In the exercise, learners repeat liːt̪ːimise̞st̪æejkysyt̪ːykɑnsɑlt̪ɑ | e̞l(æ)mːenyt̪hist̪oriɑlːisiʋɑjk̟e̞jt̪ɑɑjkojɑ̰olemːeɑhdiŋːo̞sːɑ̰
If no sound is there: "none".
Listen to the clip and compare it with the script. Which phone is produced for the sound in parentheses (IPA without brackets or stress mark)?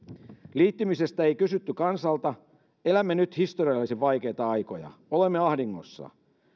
æ